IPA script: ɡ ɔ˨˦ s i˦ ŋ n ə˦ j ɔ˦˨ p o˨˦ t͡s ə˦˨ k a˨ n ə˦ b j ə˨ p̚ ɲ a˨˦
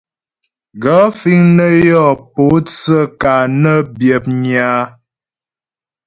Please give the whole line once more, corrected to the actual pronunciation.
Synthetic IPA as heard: ɡ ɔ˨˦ f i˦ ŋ n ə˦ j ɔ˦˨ p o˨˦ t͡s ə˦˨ k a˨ n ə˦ b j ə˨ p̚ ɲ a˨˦